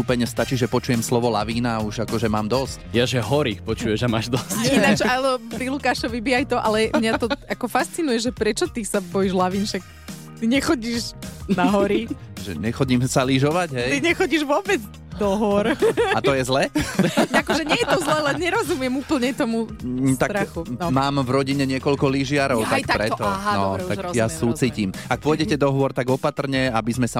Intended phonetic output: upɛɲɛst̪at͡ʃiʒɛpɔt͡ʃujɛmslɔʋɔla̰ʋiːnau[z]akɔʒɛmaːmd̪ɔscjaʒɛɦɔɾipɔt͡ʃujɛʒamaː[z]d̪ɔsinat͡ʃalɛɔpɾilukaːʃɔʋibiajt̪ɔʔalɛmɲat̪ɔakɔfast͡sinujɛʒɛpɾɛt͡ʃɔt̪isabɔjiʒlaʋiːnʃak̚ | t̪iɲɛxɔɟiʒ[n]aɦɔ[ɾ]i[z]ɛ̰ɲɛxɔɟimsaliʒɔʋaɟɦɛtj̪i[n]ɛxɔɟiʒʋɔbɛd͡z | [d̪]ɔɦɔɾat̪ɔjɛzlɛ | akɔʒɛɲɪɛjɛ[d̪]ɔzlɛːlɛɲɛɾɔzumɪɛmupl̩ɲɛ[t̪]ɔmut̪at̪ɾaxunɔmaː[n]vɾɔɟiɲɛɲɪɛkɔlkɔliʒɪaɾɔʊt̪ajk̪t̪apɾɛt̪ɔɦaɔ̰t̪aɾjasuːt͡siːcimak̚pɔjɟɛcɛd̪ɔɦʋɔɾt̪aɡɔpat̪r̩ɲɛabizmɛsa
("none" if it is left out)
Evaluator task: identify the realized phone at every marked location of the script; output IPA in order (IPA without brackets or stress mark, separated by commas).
ʒ, ʒ, n, ɾ, ʒ, ɲ, d̪, t̪, t̪, m